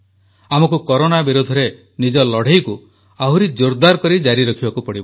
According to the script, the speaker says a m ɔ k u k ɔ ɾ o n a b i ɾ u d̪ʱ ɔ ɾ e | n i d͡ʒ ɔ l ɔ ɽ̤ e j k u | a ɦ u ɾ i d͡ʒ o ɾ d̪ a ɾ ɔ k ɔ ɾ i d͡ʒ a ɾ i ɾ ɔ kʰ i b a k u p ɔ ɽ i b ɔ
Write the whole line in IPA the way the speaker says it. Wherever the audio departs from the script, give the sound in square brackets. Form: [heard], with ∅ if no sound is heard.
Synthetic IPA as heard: a m ɔ k u k ɔ ɾ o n a b i ɾ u d̪ʱ ɔ ɾ e | n i d͡ʒ ɔ l ɔ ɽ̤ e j k u | a ɦ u ɾ i d͡ʒ o ɾ d̪ a ɾ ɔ k ɔ ɾ i d͡ʒ a ɾ i ɾ ɔ kʰ i b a k u p ɔ ɽ i b ɔ